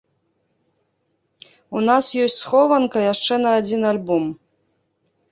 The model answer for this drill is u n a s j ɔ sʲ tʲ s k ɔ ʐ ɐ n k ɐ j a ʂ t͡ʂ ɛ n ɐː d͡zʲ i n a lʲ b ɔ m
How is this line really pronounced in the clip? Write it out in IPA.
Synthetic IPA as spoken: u n a s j ɔ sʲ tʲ s x ɔ v ɐ n k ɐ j a ʂ t͡ʂ ɛ n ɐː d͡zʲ i n a lʲ b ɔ m

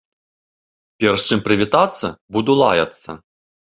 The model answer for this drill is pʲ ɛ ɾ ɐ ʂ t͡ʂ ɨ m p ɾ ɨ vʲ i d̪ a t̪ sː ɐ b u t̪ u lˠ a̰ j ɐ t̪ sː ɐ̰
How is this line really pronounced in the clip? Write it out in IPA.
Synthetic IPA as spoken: pʲ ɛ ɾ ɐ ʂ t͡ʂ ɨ m p ɾ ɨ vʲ i t̪ a t̪ sː ɐ b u d̪ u lˠ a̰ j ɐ t̪ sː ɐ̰

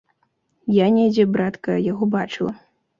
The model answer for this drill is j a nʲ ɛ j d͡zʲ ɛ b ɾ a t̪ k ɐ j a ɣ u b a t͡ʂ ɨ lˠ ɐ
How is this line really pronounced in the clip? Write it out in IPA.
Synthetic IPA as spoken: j a nʲ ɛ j d͡zʲ ɛ b ɾ a t̪ k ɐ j a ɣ ɔ b a t͡ʂ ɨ lˠ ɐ

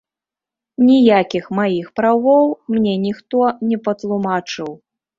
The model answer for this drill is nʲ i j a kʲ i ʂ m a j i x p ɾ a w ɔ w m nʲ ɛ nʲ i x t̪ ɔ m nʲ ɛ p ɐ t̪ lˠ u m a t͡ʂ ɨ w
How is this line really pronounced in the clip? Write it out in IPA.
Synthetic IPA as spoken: nʲ i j a kʲ i x m a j i x p ɾ a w ɔ w m nʲ ɛ nʲ i x t̪ ɔ nʲ ɛ p ɐ t̪ lˠ u m a t͡ʂ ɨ w

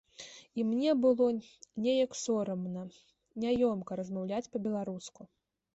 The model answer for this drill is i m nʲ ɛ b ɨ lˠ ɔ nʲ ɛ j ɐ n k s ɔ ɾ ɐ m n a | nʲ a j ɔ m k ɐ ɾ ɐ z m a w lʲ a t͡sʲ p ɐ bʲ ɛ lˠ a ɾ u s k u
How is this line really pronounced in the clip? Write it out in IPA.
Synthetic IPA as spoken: i m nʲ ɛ b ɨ lˠ ɔ nʲ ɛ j ɐ k s ɔ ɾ ɐ m n ɐ | nʲ a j ɔ m k ɐ ɾ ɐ z m a w lʲ a t͡sʲ p ɐ bʲ ɛ lˠ a ɾ u s k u

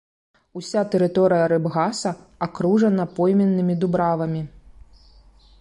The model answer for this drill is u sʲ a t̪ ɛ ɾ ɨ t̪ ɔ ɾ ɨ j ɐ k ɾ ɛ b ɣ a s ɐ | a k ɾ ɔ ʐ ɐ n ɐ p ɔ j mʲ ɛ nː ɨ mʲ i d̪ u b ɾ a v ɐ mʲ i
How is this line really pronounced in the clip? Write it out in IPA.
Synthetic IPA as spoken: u sʲ a t̪ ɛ ɾ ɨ t̪ ɔ ɾ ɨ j ɐ ɾ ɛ b ɣ a s ɐ | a k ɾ u ʐ ɐ n ɐ p ɔ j mʲ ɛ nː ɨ mʲ i d̪ u b ɾ a v ɐ mʲ i

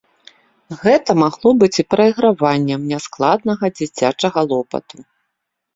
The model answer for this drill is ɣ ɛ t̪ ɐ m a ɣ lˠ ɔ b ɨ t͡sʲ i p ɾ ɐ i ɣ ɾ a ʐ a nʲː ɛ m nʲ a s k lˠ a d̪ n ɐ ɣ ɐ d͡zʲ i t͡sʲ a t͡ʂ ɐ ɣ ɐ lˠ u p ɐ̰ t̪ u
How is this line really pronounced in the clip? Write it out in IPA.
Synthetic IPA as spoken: ɣ ɛ t̪ ɐ m a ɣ lˠ ɔ b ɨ t͡sʲ i p ɾ ɐ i ɣ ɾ a v a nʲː ɛ m nʲ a s k lˠ a d̪ n ɐ ɣ ɐ d͡zʲ i t͡sʲ a t͡ʂ ɐ ɣ ɐ lˠ ɔ p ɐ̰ t̪ u

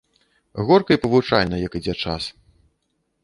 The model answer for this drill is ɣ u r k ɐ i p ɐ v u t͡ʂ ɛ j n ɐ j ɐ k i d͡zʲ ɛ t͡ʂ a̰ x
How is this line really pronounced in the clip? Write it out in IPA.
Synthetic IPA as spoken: ɣ ɔ r k ɐ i p ɐ v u t͡ʂ a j n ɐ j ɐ k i d͡zʲ ɛ t͡ʂ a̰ s

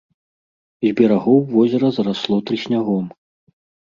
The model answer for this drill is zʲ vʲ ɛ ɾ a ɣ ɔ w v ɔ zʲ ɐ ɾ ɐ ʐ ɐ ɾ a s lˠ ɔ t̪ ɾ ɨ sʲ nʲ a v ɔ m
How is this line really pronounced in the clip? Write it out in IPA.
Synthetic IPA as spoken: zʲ bʲ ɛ ɾ a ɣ ɔ w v ɔ zʲ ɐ ɾ ɐ z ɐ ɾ a s lˠ ɔ t̪ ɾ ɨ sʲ nʲ a ɣ ɔ m

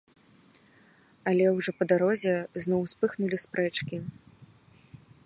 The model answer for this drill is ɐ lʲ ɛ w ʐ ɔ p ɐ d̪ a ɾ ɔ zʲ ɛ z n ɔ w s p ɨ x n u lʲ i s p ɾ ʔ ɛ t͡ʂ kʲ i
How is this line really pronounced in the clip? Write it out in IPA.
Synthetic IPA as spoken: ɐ lʲ ɛ w ʐ ɔ p ɐ d̪ a ɾ ɔ zʲ ɛ z n ɔ w s p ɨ x n u lʲ i s p ɾ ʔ ɛ t͡ʂ kʲ i

